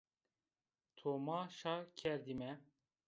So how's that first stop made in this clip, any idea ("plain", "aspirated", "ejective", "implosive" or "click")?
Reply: aspirated